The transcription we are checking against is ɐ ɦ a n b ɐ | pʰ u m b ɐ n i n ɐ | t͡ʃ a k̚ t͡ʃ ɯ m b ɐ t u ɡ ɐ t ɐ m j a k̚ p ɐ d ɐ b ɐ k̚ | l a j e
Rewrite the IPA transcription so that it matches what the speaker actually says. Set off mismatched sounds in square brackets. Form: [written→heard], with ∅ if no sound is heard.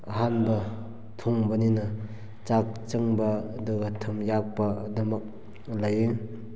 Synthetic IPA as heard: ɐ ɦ a n b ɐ | [pʰ→tʰ] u [m→ŋ] b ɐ n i n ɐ | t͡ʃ a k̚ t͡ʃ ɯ [m→ŋ] b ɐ [t→d] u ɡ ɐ [t→tʰ] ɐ m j a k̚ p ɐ d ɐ [b→m] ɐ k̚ | l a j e